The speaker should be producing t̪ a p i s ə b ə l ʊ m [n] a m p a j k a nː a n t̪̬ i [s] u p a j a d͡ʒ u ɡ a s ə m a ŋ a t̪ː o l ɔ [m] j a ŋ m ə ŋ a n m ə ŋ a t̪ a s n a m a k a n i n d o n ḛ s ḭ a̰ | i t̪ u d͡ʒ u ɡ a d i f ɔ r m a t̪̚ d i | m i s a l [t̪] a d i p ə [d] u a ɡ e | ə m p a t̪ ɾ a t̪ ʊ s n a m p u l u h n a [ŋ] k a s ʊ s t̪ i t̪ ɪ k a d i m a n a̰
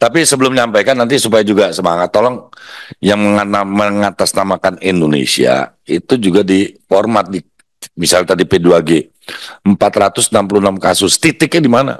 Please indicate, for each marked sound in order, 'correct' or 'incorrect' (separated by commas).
incorrect, correct, incorrect, correct, correct, incorrect